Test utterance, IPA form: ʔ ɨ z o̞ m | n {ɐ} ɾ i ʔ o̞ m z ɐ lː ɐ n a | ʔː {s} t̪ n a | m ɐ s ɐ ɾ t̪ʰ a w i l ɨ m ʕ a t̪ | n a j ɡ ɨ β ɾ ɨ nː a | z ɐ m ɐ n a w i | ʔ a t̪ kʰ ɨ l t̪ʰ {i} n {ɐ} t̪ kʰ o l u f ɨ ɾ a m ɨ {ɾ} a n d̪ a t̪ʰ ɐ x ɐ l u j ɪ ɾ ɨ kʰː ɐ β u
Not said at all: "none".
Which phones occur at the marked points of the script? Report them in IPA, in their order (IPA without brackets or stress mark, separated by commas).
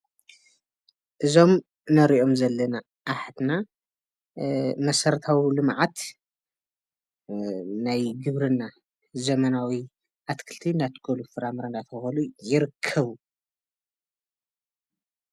ɐ, ħ, i, a, ɾ